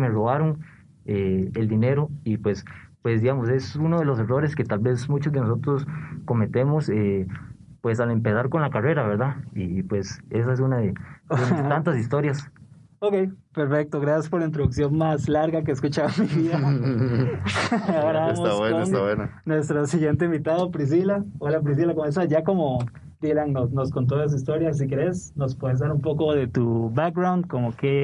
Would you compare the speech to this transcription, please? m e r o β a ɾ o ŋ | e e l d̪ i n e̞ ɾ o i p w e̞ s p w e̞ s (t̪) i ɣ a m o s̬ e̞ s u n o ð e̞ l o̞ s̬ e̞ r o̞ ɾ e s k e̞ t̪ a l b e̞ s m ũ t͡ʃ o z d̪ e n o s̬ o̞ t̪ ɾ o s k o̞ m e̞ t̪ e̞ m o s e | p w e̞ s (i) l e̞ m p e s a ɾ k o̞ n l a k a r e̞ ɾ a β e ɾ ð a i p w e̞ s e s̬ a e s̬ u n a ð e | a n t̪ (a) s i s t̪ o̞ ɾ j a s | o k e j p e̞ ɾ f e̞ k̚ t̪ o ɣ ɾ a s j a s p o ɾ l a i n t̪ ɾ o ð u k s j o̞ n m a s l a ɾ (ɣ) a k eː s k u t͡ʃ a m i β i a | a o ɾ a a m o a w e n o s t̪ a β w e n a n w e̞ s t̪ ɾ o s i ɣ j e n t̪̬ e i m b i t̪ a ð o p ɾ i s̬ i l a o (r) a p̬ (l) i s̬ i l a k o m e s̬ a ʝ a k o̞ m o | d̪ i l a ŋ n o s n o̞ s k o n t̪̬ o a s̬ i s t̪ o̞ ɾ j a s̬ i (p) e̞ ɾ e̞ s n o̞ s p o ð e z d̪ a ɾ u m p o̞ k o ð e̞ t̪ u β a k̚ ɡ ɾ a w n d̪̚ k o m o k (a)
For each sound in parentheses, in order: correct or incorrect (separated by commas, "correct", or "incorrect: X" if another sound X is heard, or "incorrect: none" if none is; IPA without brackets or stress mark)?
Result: incorrect: d̪, incorrect: a, correct, correct, incorrect: l, incorrect: ɾ, incorrect: k, incorrect: e